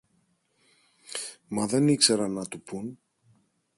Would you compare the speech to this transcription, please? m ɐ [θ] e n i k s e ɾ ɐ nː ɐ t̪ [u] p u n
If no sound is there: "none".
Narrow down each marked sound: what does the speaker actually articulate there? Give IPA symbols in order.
ð, u

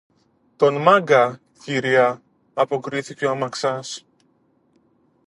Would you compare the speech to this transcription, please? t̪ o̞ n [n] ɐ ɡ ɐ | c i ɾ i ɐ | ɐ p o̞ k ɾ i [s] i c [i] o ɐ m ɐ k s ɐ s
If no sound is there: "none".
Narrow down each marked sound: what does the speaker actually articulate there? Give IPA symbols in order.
m, θ, e

